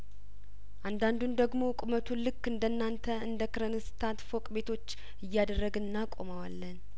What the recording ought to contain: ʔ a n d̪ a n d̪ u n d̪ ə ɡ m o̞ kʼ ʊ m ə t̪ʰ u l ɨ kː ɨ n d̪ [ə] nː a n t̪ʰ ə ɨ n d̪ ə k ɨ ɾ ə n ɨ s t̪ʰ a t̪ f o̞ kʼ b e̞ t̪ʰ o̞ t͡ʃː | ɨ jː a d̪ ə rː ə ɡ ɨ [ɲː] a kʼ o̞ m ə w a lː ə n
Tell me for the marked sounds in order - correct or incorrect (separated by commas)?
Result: correct, incorrect